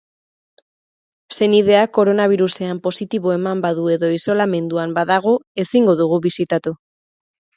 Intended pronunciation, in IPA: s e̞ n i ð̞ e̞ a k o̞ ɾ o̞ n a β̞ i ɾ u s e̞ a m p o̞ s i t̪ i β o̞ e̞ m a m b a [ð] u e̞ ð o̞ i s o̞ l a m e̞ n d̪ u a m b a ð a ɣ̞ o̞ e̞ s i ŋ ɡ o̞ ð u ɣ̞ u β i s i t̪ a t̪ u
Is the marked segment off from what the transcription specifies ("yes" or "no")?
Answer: no